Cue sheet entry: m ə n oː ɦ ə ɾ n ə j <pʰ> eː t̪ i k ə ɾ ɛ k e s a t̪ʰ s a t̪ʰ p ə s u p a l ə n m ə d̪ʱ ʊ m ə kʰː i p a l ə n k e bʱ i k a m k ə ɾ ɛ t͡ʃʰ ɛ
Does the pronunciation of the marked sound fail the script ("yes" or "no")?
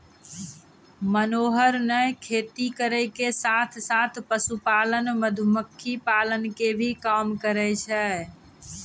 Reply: yes